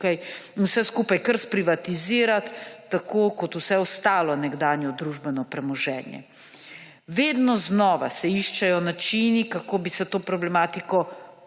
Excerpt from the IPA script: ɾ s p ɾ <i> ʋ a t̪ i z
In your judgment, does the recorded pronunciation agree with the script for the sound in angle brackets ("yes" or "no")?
yes